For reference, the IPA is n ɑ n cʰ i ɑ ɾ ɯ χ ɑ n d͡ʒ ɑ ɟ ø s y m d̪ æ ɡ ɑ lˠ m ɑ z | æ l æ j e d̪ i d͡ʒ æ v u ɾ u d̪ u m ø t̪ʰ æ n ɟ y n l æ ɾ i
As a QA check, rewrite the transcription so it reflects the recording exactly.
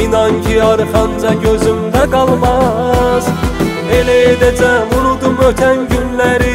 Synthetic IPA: n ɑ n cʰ i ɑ ɾ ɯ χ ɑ n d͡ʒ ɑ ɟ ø z y m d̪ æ ɡ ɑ lˠ m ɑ z | e l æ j e d̪ æ d͡ʒ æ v u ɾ u d̪ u m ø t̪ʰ æ n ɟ y n l æ ɾ i